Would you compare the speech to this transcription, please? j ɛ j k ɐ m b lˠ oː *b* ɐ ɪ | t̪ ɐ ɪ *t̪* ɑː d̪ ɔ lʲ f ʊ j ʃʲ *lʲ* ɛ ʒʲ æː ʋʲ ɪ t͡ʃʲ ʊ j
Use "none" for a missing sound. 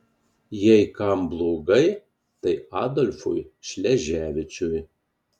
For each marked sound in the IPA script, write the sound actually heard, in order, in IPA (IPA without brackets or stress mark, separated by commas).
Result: ɡ, none, lʲ